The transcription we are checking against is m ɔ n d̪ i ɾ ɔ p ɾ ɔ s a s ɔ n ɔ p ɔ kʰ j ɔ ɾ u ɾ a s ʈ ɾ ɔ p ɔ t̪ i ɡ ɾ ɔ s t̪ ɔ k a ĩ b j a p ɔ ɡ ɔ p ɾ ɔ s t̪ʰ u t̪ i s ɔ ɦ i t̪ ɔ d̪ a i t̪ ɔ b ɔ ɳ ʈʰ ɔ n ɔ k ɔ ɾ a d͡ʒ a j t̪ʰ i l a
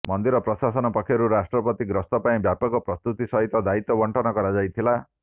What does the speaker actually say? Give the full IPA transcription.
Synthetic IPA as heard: m ɔ n d̪ i ɾ ɔ p ɾ ɔ s a s ɔ n ɔ p ɔ kʰ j ɔ ɾ u ɾ a s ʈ ɾ ɔ p ɔ t̪ i ɡ ɾ ɔ s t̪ ɔ p a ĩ b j a p ɔ ɡ ɔ p ɾ ɔ s t̪ u t̪ i s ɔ ɦ i t̪ ɔ d̪ a i t̪ ɔ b ɔ ɳ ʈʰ ɔ n ɔ k ɔ ɾ a d͡ʒ a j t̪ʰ i l a